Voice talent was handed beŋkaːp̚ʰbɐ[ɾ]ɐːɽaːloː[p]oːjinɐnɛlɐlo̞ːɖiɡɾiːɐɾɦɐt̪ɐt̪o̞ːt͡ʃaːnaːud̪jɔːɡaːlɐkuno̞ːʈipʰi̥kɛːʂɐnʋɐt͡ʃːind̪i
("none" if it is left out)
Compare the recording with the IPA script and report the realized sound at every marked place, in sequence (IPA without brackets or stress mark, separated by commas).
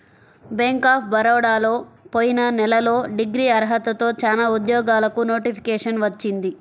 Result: ɾ, p